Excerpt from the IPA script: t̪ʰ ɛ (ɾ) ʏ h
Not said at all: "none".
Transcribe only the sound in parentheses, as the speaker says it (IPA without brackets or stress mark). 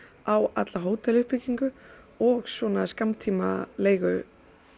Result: l